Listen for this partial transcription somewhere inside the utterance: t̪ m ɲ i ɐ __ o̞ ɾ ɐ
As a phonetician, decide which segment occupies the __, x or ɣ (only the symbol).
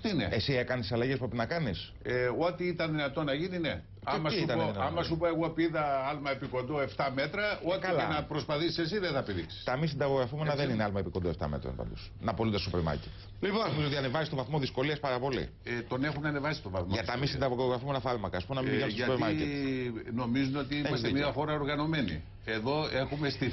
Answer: x